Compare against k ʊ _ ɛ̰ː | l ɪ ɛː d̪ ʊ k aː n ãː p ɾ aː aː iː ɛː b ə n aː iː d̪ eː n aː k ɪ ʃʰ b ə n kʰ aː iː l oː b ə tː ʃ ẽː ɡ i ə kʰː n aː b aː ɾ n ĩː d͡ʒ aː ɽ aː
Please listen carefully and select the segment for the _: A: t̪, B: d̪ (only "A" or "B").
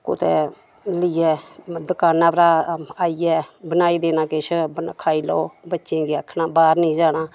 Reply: A